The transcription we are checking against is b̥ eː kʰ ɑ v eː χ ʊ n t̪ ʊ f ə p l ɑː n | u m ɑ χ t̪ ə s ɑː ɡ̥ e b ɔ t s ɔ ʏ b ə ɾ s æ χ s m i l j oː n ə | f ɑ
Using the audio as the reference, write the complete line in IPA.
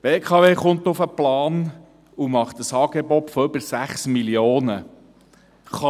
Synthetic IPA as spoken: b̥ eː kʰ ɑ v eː χ ʊ n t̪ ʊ f ə p l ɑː n | u m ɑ χ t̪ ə s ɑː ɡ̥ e b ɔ t f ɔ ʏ b ə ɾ s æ χ s m i l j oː n ə | χ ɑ